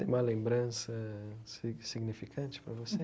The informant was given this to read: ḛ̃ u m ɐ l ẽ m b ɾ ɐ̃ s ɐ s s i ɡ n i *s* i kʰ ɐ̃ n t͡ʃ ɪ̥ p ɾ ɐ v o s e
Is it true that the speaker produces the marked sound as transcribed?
no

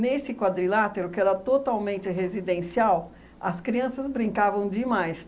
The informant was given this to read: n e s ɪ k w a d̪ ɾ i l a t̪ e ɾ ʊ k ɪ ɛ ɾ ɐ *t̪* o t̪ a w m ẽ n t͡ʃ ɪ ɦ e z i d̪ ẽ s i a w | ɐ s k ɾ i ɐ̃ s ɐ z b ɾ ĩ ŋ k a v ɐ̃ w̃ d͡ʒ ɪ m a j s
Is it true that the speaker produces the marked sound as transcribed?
yes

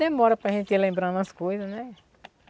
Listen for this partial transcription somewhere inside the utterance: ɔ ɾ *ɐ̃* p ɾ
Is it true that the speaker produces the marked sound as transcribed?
no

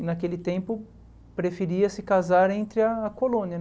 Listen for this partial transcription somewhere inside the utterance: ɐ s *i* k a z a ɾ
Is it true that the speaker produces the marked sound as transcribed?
no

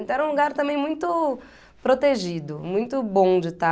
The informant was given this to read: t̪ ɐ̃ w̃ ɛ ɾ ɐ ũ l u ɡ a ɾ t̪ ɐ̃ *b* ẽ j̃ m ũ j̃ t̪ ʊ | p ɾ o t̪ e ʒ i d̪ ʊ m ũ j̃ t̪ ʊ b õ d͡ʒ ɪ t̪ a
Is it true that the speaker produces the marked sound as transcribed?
no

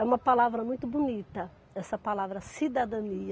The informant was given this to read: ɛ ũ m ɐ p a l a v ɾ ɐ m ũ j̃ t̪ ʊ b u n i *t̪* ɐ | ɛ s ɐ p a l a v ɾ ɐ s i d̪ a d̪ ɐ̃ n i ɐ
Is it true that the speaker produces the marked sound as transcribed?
yes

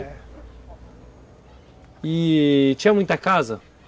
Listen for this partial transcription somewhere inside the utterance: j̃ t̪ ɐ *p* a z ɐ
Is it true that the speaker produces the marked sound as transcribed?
no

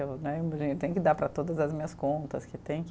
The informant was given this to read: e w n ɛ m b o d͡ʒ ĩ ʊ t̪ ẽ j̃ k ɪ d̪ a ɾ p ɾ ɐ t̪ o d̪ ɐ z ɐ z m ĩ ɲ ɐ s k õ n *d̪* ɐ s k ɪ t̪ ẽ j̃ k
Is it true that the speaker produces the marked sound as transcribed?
no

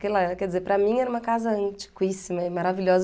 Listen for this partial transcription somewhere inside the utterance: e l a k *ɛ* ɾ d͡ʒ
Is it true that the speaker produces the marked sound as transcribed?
yes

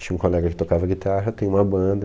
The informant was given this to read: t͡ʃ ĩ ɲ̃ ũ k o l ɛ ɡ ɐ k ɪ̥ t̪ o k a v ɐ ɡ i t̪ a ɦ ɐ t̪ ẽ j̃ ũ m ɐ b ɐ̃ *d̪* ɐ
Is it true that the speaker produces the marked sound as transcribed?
yes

